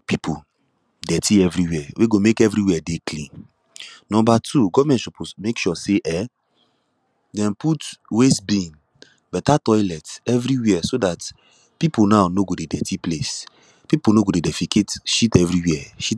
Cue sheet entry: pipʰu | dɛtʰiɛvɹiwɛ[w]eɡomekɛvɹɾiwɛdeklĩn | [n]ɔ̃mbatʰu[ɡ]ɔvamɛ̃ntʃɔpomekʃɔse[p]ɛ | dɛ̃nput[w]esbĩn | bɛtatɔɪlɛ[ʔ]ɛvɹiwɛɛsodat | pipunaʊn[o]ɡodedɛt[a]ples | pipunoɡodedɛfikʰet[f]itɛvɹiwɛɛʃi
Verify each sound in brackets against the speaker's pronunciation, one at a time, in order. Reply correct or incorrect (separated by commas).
correct, correct, correct, incorrect, correct, incorrect, correct, incorrect, incorrect